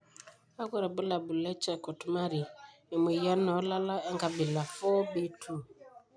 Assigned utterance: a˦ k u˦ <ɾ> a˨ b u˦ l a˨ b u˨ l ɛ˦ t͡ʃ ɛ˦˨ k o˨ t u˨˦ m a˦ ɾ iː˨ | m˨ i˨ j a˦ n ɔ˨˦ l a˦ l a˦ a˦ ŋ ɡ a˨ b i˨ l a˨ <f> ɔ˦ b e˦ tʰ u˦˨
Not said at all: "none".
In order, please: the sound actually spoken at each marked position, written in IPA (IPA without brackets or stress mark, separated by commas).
ɾ, f